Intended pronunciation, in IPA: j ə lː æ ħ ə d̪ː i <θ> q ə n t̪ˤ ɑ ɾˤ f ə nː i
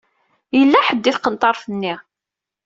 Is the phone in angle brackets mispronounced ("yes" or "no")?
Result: no